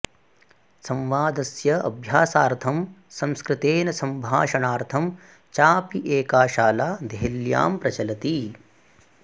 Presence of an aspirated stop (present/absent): present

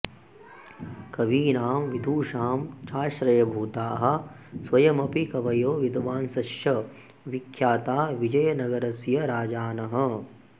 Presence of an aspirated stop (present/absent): present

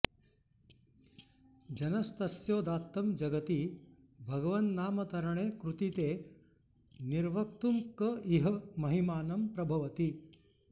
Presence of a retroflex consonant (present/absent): present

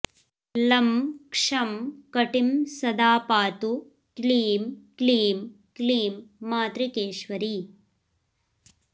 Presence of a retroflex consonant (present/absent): present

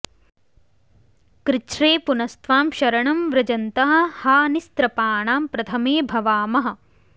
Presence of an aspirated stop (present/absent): present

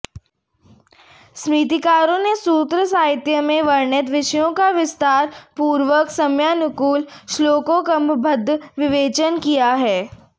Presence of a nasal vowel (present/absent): present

